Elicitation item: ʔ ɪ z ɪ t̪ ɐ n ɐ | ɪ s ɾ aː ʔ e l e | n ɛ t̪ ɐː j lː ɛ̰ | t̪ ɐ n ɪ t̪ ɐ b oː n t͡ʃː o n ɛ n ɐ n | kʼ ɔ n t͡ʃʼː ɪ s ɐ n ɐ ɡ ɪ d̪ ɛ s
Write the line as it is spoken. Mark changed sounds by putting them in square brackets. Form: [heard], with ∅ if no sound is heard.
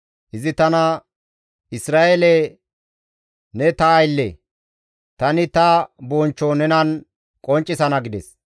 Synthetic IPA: ʔ ɪ z ɪ t̪ ɐ n ɐ | ɪ s ɾ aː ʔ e l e | n ɛ t̪ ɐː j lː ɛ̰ | t̪ ɐ n ɪ t̪ ɐ b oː n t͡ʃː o n ɛ n ɐ n | kʼ ɔ n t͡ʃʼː ɪ s ɐ n ɐ ɡ ɪ d̪ ɛ s